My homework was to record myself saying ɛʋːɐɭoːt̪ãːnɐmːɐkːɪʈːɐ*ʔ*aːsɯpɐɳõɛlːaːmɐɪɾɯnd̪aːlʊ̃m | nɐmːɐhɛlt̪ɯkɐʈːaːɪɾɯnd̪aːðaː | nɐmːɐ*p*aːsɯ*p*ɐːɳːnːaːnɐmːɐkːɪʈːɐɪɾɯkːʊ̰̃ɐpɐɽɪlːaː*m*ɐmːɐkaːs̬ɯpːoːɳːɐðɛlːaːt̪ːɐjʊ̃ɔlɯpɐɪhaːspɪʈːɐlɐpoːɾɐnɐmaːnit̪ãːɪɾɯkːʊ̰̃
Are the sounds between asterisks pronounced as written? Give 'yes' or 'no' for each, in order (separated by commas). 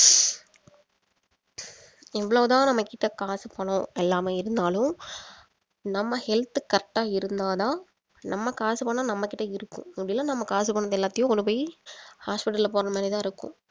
no, no, yes, no